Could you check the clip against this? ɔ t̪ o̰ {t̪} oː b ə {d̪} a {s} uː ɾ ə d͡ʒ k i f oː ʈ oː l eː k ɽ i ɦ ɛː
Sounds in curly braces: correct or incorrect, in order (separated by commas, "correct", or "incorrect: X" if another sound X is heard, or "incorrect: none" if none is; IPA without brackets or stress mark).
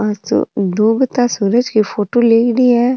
incorrect: d̪, incorrect: t̪, correct